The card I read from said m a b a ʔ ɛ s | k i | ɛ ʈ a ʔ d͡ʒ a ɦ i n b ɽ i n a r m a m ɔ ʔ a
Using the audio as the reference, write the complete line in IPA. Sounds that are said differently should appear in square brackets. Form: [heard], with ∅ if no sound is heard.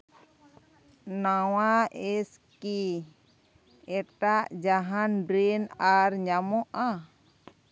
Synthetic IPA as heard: [n] a [w] a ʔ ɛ s | k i | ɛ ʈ a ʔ d͡ʒ a ɦ [a] n b [ɾ] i n a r [ɲ] a m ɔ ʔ a